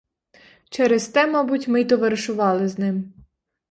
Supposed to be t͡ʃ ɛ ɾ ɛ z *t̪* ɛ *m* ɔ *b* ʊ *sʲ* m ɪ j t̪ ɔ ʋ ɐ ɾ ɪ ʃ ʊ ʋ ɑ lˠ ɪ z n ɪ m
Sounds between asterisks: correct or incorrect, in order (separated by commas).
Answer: correct, correct, correct, incorrect